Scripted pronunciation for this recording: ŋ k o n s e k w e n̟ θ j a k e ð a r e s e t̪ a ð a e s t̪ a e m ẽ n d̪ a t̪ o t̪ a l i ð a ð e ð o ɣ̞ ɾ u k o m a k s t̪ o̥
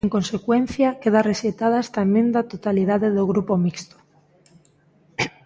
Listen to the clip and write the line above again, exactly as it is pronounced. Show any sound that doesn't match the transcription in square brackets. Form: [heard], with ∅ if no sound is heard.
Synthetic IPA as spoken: ŋ k o n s e k w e n̟ θ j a k e ð a r e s e t̪ a ð a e s t̪ a e m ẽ n d̪ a t̪ o t̪ a l i ð a ð e ð o ɣ̞ ɾ u [p] o m [i] k s t̪ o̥